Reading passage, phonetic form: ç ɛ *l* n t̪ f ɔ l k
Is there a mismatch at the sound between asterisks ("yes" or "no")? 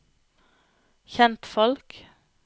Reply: yes